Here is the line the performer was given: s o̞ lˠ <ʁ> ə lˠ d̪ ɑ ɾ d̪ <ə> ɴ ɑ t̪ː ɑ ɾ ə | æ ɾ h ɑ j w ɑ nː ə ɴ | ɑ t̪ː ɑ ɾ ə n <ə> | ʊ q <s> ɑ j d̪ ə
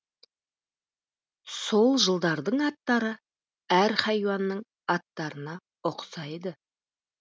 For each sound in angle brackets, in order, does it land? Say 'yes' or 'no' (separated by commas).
no, yes, no, yes